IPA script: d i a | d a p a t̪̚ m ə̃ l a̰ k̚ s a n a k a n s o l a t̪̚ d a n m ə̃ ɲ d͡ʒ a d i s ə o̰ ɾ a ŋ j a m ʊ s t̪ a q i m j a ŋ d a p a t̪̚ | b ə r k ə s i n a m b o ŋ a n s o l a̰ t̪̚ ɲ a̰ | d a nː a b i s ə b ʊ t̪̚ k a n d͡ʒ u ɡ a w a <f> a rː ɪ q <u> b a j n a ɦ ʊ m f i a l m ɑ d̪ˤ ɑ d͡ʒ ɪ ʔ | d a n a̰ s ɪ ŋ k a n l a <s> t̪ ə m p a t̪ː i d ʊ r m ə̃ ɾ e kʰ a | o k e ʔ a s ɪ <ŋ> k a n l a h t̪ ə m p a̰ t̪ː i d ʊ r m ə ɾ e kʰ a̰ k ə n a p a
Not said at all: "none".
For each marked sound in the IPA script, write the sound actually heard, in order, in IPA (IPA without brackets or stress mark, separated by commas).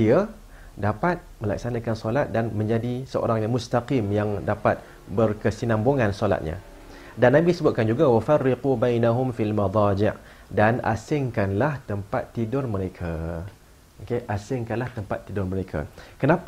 f, u, h, ŋ